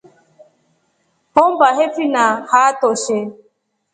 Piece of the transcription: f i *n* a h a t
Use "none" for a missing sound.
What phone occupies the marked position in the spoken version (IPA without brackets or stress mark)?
n